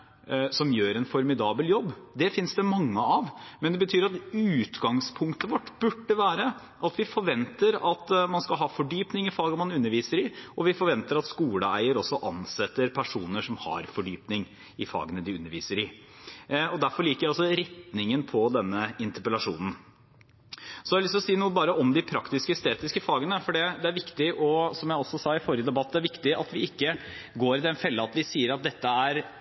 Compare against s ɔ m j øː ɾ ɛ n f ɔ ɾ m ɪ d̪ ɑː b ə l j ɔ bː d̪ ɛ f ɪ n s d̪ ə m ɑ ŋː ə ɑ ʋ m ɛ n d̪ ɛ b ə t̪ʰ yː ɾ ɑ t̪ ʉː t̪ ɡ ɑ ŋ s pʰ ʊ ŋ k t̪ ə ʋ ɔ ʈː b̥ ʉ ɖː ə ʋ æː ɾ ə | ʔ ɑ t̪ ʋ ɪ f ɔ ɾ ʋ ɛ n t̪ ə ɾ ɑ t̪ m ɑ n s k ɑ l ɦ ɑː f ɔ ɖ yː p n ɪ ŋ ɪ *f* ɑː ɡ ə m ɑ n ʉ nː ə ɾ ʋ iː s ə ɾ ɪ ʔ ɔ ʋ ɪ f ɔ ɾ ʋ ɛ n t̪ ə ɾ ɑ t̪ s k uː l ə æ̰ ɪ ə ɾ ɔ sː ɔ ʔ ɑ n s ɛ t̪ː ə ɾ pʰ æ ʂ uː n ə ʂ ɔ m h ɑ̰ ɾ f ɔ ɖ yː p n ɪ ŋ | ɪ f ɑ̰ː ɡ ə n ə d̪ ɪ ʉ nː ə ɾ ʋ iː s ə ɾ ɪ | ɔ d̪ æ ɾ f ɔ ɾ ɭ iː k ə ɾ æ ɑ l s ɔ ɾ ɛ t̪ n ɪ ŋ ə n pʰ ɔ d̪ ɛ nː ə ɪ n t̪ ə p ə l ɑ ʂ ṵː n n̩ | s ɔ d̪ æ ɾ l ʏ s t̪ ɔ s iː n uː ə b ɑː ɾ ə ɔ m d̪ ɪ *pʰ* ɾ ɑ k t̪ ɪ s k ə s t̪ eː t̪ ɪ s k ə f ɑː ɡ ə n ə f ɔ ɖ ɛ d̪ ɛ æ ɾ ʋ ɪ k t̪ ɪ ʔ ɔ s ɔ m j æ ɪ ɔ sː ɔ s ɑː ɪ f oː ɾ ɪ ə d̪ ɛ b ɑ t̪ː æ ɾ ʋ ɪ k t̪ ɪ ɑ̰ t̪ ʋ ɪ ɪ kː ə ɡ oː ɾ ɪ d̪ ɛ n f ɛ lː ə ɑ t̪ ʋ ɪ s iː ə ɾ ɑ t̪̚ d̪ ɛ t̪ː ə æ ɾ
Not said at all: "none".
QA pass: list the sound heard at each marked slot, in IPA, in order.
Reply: f, pʰ

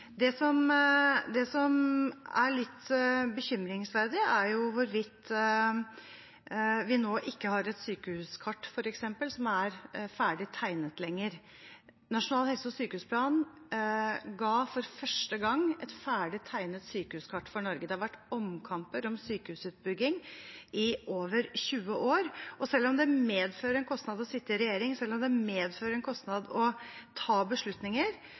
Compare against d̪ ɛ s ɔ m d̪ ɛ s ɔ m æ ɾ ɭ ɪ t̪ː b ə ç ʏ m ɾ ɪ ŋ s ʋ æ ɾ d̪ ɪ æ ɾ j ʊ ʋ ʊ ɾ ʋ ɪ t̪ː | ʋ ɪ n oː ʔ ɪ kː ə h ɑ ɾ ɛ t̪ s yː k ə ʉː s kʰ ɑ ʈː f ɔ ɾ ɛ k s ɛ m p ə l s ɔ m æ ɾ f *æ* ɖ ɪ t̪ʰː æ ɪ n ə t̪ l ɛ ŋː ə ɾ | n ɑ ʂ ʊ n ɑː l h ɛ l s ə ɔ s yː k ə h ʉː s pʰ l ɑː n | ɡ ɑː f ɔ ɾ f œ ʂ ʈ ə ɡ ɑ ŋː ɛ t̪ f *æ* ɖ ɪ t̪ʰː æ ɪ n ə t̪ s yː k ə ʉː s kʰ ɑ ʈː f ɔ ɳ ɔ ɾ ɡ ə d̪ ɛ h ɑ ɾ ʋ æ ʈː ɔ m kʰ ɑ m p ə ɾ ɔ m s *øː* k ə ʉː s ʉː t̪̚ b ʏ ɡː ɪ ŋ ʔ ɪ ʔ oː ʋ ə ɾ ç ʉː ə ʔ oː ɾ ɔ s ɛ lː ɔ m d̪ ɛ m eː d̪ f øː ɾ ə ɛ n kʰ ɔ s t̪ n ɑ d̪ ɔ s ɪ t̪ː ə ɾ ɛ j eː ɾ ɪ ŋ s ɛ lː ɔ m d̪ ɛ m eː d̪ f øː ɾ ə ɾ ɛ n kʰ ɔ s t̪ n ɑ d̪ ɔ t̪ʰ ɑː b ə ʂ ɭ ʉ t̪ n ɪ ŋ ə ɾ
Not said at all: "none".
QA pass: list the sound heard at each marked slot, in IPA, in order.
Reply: æː, æː, yː

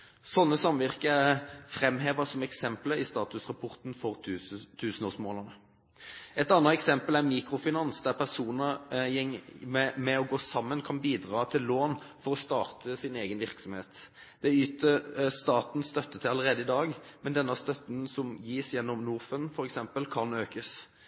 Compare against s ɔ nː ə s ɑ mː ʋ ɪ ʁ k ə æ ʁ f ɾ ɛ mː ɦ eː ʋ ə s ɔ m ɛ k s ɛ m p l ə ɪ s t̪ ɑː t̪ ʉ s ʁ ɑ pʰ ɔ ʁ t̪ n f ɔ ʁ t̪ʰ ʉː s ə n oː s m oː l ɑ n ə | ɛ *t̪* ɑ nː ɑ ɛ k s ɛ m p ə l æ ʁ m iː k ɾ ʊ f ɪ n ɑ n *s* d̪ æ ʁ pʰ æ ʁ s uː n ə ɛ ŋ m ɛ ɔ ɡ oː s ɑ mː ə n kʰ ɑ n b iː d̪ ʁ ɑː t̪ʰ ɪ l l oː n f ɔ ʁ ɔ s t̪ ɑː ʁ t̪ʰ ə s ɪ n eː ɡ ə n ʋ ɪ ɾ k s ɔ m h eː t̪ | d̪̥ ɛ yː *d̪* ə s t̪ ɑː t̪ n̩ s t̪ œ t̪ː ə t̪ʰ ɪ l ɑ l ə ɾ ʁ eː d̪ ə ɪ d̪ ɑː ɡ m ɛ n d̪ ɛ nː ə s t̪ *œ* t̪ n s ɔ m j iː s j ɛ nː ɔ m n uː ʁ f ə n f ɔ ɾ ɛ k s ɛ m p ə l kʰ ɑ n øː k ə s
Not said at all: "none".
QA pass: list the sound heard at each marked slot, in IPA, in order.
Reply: t̪, s, t̪, œ

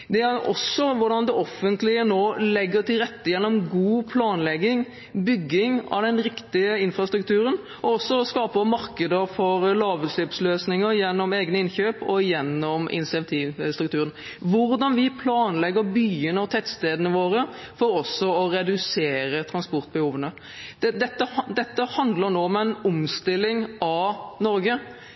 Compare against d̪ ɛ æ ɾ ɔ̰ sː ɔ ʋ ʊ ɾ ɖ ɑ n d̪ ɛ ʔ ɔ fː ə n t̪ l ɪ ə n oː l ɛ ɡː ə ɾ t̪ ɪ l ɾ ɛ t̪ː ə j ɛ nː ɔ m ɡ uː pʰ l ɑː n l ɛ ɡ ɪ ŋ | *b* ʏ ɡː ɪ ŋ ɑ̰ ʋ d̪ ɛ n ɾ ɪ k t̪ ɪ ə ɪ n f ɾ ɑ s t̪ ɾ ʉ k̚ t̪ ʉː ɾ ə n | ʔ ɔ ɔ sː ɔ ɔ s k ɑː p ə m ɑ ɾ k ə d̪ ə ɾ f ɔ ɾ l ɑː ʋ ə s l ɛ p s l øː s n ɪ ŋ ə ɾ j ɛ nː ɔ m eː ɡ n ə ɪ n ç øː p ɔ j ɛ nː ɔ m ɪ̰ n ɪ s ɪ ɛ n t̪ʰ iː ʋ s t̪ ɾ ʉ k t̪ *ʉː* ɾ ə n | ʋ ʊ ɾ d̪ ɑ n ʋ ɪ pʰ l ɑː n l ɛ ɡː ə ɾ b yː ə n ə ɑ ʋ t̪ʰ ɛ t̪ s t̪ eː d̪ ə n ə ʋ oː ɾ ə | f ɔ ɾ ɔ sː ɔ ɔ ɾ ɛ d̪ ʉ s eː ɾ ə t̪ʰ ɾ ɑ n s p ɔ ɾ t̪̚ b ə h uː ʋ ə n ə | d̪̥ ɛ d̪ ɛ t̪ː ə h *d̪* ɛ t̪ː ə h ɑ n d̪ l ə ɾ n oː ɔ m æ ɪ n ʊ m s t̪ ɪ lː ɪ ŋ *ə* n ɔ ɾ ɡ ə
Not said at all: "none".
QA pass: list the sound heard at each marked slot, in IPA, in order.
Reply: b, ʉː, d̪, ɑ

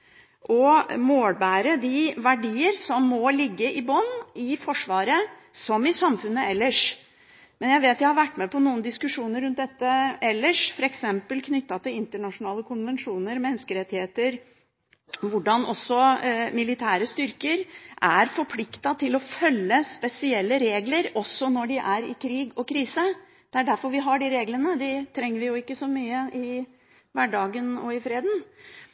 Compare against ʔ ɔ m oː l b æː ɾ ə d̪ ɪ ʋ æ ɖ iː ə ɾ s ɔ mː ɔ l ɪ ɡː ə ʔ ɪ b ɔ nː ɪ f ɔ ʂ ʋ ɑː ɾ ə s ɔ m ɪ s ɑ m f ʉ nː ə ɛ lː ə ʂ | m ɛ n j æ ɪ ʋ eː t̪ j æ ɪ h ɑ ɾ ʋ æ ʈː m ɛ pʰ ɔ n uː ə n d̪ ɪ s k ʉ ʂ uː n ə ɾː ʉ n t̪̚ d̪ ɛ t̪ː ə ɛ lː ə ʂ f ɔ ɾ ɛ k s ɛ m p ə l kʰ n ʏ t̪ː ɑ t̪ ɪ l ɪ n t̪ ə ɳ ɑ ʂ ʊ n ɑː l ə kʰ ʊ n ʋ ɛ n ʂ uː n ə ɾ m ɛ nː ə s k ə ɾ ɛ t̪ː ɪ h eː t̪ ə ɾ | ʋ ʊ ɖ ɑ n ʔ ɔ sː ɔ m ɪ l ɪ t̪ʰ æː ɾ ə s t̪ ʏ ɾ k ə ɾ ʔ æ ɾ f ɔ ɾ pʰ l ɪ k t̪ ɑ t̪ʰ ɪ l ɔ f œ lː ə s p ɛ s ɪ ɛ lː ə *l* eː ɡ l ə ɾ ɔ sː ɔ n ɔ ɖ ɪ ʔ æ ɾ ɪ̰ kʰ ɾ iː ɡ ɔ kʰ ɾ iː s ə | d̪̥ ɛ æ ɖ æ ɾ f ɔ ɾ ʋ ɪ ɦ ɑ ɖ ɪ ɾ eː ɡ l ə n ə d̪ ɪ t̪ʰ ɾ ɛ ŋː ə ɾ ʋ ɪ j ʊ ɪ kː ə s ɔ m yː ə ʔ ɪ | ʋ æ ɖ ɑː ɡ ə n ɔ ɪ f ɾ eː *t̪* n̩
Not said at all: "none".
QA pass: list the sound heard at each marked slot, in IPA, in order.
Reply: ɾ, d̪

